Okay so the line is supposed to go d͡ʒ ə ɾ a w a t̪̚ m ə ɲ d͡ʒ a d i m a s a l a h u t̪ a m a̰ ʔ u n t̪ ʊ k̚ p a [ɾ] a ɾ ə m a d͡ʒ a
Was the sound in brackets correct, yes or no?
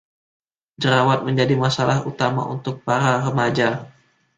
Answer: yes